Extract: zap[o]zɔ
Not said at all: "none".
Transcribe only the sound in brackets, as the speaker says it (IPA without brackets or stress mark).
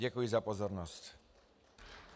ɔ